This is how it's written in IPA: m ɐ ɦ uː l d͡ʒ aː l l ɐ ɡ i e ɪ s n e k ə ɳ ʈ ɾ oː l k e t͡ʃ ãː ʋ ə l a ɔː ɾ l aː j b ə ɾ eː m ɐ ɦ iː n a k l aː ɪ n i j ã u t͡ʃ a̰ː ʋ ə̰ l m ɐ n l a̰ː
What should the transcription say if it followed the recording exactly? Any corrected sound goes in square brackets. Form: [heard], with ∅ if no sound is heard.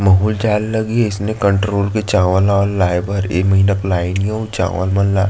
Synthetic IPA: m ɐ ɦ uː l d͡ʒ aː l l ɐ ɡ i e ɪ s n e k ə ɳ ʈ ɾ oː l k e t͡ʃ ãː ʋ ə l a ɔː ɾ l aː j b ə ɾ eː m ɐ ɦ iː n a k l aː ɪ n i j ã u t͡ʃ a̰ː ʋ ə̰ l m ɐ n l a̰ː